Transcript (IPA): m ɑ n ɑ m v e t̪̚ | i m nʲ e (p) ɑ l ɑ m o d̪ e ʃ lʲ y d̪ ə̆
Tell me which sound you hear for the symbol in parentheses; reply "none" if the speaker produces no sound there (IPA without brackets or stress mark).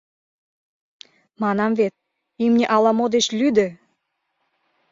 ʔ